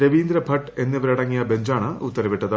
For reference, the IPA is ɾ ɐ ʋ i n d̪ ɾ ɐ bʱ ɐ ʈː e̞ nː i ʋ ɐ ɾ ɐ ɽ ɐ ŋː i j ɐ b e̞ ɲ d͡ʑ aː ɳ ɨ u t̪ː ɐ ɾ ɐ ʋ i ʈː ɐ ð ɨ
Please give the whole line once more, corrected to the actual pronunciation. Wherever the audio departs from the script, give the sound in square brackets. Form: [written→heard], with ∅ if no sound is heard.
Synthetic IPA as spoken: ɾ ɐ ʋ [i→iː] n d̪ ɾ ɐ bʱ ɐ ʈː e̞ nː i ʋ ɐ ɾ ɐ ɽ ɐ ŋː i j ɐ b e̞ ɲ d͡ʑ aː ɳ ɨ u t̪ː ɐ ɾ ɐ ʋ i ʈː ɐ ð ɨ